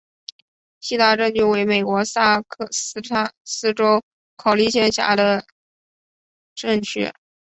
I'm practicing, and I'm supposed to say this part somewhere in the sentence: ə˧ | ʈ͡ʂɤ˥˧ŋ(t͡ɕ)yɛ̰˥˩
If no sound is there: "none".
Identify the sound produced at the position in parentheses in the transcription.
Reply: t͡ɕʰ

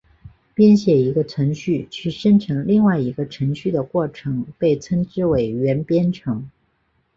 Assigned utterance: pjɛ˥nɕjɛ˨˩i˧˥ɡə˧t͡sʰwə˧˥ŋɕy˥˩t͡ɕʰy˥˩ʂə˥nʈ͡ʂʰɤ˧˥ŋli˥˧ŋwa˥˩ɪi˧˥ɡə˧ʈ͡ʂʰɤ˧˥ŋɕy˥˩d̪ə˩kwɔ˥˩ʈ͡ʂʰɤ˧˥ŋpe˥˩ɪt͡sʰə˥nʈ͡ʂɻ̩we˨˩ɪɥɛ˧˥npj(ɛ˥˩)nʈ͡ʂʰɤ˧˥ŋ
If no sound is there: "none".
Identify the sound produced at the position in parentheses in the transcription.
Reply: ɛ˥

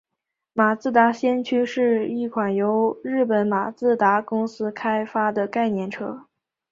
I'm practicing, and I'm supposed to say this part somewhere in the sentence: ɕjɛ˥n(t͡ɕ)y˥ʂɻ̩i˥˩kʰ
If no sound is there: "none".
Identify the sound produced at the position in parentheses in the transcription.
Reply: t͡ɕʰ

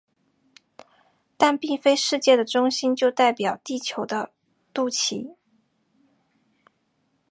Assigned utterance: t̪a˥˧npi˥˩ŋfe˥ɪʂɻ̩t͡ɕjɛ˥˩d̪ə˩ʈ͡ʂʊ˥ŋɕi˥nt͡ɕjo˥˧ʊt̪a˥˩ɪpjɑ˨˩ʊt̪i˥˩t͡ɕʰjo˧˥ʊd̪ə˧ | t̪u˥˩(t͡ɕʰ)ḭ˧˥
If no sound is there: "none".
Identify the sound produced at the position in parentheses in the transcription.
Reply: t͡ɕʰ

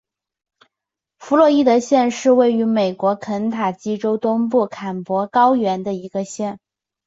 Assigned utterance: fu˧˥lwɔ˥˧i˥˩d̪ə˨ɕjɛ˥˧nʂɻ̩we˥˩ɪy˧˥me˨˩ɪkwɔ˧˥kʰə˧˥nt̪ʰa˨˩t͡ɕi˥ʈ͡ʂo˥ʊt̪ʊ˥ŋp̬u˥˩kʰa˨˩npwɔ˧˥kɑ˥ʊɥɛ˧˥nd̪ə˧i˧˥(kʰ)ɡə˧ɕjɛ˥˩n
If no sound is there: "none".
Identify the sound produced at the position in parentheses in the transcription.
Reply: none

